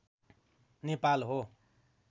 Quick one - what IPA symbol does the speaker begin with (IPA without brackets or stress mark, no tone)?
n